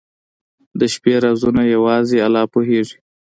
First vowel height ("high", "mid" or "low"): mid